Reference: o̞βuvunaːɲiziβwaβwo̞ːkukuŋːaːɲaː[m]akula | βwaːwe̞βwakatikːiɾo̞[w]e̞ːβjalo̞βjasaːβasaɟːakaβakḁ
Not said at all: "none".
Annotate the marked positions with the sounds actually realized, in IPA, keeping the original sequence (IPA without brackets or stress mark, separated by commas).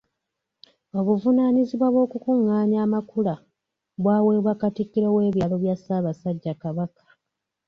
m, w